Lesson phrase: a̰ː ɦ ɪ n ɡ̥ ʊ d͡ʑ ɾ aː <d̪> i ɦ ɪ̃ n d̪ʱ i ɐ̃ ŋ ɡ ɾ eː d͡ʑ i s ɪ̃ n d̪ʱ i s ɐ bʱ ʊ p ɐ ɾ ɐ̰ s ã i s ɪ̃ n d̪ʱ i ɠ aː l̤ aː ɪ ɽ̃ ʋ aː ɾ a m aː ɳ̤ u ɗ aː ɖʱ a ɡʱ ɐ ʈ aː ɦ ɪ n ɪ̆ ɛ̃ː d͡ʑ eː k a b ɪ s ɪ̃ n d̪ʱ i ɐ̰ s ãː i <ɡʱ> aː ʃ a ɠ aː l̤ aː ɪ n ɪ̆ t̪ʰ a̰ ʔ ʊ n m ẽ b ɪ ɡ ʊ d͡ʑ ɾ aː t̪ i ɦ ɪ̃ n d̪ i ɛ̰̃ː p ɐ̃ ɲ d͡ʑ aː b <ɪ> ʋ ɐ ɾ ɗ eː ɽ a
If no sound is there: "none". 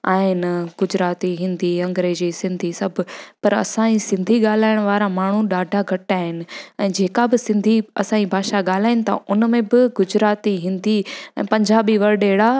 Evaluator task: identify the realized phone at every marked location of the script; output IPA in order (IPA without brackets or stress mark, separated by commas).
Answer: t̪, bʱ, i